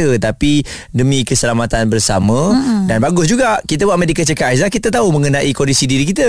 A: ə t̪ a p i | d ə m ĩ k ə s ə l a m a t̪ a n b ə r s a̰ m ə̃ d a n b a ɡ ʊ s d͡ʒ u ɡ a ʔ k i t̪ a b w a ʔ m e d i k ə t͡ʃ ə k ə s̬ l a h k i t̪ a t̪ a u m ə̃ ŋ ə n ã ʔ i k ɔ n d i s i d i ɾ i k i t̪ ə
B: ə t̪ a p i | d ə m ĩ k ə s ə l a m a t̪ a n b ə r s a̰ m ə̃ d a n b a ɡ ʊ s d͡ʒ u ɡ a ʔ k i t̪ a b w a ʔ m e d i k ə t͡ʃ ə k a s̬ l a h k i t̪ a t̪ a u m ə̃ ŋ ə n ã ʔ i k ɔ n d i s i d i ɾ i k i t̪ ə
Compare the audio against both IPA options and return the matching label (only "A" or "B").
B